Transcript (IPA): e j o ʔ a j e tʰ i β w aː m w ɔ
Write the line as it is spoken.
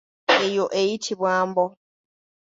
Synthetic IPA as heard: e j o ʔ e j i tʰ i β w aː m b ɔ